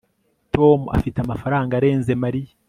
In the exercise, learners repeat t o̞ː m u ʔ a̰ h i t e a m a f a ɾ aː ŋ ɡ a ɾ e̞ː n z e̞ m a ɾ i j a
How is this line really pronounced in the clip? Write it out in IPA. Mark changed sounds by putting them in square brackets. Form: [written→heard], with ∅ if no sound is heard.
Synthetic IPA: t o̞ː m u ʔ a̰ [h→f] i t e a m a f a ɾ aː ŋ ɡ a ɾ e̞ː n z e̞ m a ɾ i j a